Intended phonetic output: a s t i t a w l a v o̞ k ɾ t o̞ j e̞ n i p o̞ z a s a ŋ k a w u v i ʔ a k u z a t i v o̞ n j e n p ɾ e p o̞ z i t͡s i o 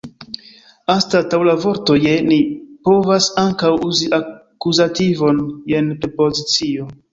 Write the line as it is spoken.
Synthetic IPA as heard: a s t a t a w l a v o̞ ɾ t o̞ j e̞ n i p o̞ v a s a ŋ k a w u z i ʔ a k u z a t i v o̞ n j e n p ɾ e p o̞ z i t͡s i o